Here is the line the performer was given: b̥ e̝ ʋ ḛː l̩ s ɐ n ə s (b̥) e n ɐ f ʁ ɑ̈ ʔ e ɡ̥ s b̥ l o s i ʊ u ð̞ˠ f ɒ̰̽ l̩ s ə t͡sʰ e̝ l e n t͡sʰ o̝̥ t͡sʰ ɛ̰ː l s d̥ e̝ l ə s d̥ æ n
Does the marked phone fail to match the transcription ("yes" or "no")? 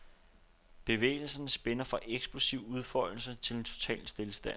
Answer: no